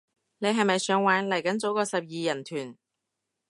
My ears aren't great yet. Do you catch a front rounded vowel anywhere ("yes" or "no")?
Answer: yes